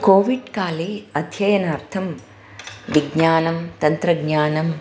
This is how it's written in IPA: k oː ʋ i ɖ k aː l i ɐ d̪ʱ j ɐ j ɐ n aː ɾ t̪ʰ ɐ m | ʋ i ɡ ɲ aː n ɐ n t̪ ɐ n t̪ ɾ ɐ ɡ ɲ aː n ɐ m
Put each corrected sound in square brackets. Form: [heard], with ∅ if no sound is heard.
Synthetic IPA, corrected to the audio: k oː ʋ i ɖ k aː l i ɐ d̪ʱ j ɐ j ɐ n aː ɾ t̪ʰ ɐ m | ʋ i ɡ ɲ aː n ɐ [m] t̪ ɐ n t̪ ɾ ɐ ɡ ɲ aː n ɐ m